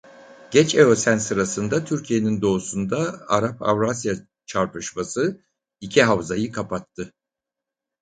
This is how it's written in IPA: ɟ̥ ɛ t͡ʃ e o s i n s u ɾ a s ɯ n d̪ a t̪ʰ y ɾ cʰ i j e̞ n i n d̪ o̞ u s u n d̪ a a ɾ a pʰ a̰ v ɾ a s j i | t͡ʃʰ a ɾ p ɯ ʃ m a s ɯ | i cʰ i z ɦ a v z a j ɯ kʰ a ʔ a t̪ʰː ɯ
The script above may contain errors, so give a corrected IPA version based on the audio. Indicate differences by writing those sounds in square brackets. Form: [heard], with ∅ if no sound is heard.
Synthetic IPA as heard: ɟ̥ ɛ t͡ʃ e o s [æ] n s [ɯ] ɾ a s ɯ n d̪ a t̪ʰ y ɾ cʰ i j e̞ n i n d̪ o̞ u s u n d̪ a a ɾ a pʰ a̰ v ɾ a s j [a] | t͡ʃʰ a ɾ p ɯ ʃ m a s ɯ | i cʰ i [∅] ɦ a v z a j ɯ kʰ a [p] a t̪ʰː ɯ